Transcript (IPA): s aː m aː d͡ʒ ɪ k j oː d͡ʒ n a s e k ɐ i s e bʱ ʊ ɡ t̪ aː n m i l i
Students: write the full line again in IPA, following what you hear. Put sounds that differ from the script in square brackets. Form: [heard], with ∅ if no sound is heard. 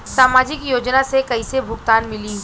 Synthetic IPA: s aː m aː d͡ʒ ɪ k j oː d͡ʒ n a s e k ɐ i s e bʱ ʊ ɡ t̪ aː n m [ɪ] l i